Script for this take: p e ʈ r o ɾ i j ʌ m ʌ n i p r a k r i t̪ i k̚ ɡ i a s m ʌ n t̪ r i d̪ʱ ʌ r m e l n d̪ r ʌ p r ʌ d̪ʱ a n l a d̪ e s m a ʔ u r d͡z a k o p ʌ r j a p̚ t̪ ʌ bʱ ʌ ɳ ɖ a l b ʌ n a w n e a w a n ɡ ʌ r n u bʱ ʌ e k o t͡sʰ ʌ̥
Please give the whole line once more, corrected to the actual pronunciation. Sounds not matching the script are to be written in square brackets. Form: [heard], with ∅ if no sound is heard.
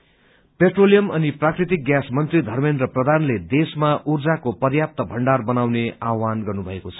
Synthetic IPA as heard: p e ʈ r o [l] i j ʌ m ʌ n i p r a k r i t̪ i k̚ ɡ [j] a s m ʌ n t̪ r i d̪ʱ ʌ r m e [∅] n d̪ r ʌ p r ʌ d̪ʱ a n l [e] d̪ e s m a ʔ u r d͡z a k o p ʌ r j a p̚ t̪ ʌ bʱ ʌ ɳ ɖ a [r] b ʌ n a w n e a w a n ɡ ʌ r n u bʱ ʌ e k o t͡sʰ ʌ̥